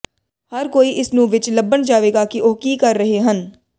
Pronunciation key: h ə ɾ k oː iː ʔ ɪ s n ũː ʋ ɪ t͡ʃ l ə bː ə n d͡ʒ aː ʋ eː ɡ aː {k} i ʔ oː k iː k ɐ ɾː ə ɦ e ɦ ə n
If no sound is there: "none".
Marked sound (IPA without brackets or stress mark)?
k